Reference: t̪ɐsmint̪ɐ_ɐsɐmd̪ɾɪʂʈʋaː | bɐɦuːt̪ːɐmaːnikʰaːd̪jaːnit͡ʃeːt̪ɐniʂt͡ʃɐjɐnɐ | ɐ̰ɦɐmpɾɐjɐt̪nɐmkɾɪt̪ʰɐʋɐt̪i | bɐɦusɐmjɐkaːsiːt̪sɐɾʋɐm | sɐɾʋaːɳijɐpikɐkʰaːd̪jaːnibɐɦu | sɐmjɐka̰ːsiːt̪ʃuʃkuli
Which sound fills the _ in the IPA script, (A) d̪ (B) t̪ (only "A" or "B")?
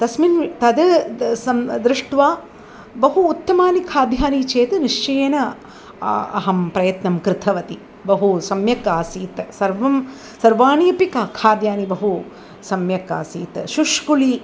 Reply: A